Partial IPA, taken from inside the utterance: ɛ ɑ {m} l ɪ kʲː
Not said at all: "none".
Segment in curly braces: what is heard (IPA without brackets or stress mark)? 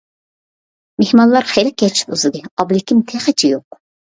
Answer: b